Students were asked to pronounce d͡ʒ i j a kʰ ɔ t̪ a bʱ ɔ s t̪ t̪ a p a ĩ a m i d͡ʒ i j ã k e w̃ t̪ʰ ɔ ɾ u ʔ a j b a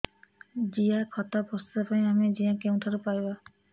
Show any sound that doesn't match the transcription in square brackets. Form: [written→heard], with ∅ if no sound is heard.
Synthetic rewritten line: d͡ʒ i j a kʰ ɔ t̪ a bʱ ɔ s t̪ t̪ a p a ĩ a m i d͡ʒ i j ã k e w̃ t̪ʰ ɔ ɾ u [ʔ→p] a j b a